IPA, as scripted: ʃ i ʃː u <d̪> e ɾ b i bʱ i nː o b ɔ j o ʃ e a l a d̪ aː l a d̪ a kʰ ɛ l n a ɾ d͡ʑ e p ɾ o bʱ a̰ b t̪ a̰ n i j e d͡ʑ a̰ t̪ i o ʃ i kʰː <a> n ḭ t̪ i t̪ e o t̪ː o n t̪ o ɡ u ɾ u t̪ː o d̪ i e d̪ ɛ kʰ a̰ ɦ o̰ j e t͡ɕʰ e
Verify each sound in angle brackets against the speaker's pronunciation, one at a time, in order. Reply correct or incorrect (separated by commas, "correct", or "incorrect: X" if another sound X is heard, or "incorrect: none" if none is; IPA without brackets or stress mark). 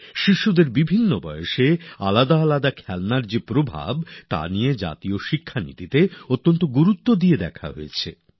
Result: correct, correct